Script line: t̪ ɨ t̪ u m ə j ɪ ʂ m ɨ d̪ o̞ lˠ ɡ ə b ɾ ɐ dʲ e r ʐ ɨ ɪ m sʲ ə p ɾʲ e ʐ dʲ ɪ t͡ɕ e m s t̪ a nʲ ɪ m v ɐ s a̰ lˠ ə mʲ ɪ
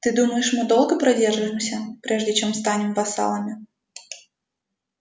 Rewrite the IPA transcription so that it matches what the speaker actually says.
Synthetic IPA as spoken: t̪ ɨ d̪ u m ə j ɪ ʂ m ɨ d̪ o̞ lˠ ɡ ə p ɾ ɐ dʲ e r ʐ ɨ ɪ m sʲ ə p ɾʲ e ʐ dʲ ɪ t͡ɕ e m s t̪ a nʲ ɪ m v ɐ s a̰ lˠ ə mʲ ɪ